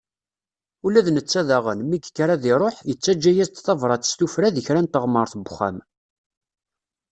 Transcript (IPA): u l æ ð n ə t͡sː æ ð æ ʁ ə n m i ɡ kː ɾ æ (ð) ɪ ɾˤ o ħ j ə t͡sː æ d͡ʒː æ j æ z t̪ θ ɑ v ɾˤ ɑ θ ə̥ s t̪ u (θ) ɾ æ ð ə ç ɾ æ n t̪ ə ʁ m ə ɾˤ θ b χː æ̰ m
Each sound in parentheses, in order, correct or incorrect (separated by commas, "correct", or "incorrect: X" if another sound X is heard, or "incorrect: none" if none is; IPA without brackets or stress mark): correct, incorrect: f